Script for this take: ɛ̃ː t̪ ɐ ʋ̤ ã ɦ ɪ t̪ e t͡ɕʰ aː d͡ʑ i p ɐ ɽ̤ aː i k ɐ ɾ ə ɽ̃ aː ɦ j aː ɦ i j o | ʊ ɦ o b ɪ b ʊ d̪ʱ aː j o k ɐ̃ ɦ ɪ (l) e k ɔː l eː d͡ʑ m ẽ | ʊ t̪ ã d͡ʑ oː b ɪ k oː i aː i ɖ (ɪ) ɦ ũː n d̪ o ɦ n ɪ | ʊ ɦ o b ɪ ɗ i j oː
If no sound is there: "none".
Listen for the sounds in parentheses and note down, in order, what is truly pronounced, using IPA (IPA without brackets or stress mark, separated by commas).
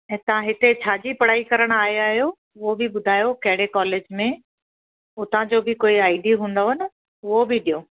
ɽ, i